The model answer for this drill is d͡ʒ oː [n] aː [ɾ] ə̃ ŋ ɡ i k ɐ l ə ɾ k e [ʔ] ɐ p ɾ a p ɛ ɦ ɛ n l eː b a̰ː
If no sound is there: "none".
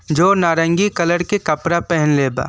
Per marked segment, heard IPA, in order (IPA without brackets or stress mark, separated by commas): n, ɾ, k